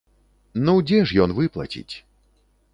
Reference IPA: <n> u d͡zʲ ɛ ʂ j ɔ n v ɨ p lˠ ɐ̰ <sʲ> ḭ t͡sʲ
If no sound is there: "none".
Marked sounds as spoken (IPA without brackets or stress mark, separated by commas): n, t͡sʲ